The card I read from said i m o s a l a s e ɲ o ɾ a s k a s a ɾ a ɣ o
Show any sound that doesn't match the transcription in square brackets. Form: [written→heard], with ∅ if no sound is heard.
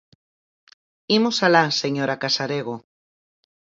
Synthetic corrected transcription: i m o s a l a s e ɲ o ɾ a [s→∅] k a s a ɾ [a→e] ɣ o